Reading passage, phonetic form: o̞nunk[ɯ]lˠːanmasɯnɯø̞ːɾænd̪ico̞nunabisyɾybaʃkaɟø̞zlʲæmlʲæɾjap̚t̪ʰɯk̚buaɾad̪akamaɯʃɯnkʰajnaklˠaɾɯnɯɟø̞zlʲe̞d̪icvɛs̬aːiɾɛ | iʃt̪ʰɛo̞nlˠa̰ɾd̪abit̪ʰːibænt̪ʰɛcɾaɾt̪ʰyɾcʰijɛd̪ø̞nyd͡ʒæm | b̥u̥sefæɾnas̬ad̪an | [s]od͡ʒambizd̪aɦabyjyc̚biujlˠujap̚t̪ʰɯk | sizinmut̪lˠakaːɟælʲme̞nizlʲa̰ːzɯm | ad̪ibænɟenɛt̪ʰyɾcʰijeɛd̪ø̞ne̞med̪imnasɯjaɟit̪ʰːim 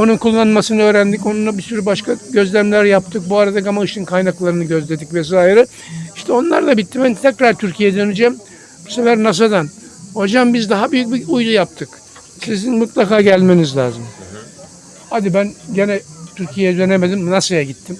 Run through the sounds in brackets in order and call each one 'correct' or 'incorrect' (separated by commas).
incorrect, incorrect